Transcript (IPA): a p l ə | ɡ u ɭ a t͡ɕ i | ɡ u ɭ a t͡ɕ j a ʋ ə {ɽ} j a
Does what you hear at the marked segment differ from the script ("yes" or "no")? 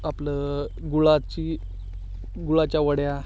no